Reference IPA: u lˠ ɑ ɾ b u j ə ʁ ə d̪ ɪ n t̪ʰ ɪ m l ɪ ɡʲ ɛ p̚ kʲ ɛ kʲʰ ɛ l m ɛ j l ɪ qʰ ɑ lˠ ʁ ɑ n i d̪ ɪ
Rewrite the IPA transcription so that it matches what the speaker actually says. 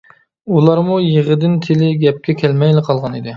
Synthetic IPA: u lˠ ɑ ɾ m u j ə ʁ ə d̪ ɪ n t̪ʰ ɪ l ɪ ɡʲ ɛ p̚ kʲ ɛ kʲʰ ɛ l m ɛ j l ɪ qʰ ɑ lˠ ʁ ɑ n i d̪ ɪ